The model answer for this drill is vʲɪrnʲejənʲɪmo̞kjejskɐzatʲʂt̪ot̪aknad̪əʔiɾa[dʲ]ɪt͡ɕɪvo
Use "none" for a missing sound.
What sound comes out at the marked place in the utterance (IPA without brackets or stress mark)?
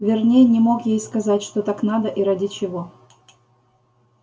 dʲ